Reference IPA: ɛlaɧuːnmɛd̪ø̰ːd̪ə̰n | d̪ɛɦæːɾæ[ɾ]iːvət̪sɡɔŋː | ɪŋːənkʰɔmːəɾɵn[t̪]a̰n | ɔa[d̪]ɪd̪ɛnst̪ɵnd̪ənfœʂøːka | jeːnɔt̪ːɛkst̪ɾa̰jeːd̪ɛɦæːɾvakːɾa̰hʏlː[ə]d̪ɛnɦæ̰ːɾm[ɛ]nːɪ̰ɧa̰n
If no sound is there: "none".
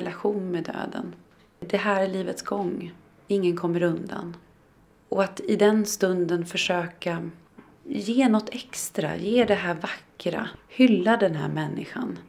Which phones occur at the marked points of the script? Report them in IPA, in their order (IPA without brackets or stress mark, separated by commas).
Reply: ɭ, d̪, t̪, a, ɛ